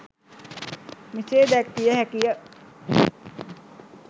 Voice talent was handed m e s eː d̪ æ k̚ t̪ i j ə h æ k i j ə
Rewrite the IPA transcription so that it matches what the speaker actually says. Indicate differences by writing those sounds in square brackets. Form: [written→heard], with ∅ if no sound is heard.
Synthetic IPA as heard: m [e→i] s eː d̪ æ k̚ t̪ i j ə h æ k i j ə